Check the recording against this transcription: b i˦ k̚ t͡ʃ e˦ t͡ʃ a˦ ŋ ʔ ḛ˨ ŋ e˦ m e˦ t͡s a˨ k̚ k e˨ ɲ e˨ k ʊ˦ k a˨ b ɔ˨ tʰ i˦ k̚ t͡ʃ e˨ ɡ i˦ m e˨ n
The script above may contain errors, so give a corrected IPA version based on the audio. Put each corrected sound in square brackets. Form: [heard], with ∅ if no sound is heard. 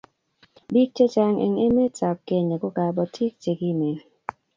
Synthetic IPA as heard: b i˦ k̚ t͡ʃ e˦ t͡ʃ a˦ ŋ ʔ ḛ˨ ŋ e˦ m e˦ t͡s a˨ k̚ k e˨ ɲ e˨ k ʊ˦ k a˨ b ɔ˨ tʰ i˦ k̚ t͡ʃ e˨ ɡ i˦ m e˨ n